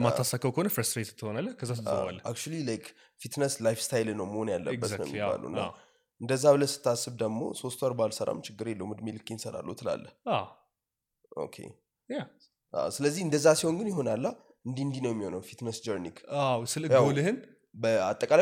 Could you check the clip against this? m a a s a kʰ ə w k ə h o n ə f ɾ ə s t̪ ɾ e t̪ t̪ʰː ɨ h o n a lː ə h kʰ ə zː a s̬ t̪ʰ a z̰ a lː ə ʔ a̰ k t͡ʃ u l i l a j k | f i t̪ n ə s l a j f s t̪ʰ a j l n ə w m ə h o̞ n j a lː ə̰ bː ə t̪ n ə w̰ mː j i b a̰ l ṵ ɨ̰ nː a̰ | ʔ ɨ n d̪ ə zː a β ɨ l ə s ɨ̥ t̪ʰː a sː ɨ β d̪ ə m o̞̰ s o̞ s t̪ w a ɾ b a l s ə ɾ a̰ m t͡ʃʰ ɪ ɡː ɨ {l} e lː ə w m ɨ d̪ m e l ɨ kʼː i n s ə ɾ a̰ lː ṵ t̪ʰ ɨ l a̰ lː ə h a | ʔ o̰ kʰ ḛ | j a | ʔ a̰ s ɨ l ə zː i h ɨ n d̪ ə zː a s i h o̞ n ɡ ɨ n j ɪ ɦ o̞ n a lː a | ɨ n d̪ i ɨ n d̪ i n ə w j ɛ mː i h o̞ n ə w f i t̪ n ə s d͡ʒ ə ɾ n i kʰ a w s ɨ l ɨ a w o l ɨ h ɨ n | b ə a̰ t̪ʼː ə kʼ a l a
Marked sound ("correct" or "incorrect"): incorrect